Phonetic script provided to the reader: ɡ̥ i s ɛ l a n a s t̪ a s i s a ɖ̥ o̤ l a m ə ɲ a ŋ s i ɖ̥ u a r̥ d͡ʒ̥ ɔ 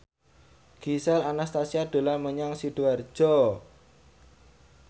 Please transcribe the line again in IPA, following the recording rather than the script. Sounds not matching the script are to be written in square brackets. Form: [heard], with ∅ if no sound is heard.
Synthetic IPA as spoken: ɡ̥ i s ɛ l a n a s t̪ a s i [∅] a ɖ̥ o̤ l a m ə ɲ a ŋ s i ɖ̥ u a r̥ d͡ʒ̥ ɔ